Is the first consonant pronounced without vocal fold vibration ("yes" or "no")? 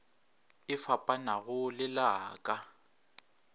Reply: yes